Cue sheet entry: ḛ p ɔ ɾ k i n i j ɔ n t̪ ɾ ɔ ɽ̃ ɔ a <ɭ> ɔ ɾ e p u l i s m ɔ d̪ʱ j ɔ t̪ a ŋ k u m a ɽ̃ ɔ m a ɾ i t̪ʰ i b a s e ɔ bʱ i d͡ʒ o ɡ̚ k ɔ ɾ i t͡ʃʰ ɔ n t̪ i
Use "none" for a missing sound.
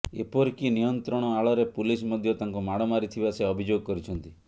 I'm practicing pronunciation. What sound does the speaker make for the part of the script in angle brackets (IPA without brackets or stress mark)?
ɭ